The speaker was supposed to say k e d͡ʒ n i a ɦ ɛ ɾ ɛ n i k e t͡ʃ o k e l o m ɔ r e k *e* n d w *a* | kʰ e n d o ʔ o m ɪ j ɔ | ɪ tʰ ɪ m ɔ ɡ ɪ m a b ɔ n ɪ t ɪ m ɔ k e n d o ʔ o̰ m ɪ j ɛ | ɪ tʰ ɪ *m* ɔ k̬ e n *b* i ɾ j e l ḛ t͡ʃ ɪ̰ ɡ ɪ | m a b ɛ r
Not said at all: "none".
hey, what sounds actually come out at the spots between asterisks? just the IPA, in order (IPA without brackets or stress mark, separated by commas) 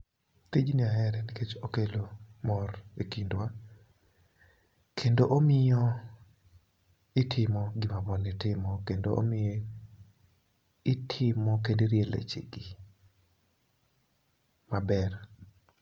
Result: i, a, m, d